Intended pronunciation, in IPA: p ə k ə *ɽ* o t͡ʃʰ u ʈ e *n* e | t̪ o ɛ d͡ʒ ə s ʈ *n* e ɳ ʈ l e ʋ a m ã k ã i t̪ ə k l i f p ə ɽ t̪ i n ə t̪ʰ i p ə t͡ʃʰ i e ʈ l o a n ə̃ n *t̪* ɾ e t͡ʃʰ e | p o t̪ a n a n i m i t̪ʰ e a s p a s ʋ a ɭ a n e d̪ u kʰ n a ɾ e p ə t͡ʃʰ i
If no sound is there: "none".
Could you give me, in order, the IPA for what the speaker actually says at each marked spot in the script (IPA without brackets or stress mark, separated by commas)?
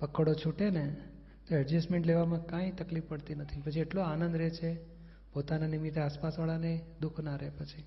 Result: ɽ, n, m, d̪